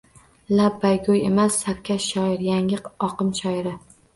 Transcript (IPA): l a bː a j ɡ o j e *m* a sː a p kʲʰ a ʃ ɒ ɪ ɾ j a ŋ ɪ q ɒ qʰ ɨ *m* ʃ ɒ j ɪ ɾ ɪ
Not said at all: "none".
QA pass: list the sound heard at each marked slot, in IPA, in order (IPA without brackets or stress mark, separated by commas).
m, m